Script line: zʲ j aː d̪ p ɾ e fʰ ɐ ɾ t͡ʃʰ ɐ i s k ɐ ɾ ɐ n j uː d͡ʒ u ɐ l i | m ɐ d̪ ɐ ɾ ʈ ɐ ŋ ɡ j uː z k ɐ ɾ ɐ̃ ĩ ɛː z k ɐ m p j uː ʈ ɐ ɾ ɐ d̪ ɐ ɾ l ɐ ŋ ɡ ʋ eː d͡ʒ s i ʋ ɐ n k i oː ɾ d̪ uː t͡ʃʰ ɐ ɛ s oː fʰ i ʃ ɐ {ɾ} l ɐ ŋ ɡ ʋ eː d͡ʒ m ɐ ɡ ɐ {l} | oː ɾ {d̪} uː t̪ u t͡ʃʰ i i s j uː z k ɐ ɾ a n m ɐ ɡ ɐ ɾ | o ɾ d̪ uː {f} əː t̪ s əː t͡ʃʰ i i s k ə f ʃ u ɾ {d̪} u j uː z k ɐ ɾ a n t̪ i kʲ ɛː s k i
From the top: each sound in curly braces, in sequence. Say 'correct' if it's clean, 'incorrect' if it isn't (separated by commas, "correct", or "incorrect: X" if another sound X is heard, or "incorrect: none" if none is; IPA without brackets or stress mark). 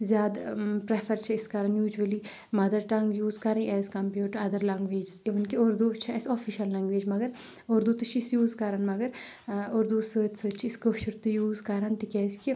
incorrect: l, incorrect: ɾ, correct, incorrect: s, incorrect: t̪